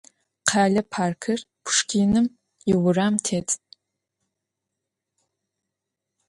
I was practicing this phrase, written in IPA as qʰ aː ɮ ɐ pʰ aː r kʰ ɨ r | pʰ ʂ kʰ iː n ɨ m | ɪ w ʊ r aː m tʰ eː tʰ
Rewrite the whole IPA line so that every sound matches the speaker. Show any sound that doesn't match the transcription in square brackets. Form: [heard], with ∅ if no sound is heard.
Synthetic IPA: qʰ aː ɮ ɐ pʰ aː r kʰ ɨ r | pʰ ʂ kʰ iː n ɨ m | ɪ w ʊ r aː m tʰ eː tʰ